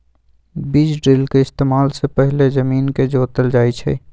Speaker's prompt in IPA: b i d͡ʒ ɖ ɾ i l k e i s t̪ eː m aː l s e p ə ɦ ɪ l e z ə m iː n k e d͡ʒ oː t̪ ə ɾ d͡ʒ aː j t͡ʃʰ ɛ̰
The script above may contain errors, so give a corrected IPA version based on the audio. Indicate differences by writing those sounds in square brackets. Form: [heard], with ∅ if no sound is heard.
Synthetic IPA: b i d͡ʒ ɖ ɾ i l k e [ɪ] s t̪ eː m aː l s e p ə ɦ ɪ l e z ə m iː n k e d͡ʒ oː t̪ ə [l] d͡ʒ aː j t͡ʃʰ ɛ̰